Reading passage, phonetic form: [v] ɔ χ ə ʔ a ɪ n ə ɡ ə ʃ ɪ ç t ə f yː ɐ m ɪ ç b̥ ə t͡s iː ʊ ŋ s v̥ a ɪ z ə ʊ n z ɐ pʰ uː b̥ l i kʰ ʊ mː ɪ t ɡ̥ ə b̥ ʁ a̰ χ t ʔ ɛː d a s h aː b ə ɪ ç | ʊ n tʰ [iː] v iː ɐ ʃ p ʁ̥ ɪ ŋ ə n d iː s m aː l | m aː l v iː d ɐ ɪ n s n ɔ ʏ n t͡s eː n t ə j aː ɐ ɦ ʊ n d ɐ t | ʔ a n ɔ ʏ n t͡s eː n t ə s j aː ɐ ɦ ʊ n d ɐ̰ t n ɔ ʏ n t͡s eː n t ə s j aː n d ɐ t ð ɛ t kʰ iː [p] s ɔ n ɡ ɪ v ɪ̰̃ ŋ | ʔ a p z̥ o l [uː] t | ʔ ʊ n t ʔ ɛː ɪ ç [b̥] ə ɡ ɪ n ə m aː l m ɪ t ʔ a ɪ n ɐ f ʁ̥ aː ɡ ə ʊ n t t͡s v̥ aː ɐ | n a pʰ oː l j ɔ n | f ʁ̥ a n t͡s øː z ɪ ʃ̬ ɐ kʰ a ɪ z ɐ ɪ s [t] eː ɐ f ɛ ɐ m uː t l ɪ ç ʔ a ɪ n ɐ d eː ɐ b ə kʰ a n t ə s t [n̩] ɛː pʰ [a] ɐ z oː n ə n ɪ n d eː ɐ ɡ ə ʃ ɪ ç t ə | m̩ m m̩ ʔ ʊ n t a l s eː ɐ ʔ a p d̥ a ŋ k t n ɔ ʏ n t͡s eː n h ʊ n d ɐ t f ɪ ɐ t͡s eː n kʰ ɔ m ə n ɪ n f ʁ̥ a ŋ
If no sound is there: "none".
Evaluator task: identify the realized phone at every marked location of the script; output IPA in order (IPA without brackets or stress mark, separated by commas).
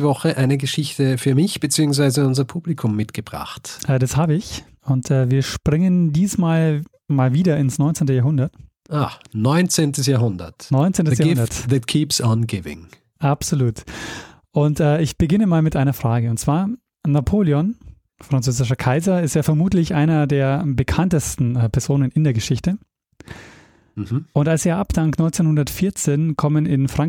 v, ɛː, p, uː, b̥, t, n̩, ɛ